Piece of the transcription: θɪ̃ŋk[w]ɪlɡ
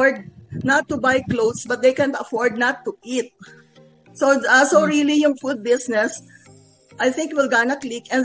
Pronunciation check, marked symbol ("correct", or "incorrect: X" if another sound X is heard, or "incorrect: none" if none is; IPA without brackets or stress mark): correct